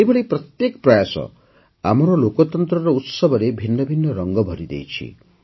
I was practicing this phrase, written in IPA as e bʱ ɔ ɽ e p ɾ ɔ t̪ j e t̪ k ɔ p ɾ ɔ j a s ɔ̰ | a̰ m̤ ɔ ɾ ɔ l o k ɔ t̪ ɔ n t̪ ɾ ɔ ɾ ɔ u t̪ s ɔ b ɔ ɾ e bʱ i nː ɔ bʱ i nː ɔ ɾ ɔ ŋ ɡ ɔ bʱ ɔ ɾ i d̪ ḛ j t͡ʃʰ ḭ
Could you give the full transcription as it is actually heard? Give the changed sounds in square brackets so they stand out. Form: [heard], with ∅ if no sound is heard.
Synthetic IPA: e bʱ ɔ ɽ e p ɾ ɔ t̪ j e [∅] k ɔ p ɾ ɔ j a s ɔ̰ | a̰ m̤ ɔ ɾ ɔ l o k ɔ t̪ ɔ n t̪ ɾ ɔ ɾ ɔ u t̪ s ɔ b ɔ ɾ e bʱ i nː ɔ bʱ i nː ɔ ɾ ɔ ŋ ɡ ɔ bʱ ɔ ɾ i d̪ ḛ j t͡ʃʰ ḭ